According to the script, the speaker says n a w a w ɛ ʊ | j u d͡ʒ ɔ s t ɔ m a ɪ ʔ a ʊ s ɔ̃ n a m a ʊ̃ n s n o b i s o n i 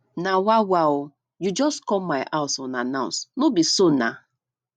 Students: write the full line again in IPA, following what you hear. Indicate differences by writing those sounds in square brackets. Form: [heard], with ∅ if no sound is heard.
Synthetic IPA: n a w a w [a] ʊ | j u d͡ʒ ɔ s [k] ɔ m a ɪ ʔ a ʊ s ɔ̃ n a [n] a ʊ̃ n s n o b i s o n [a]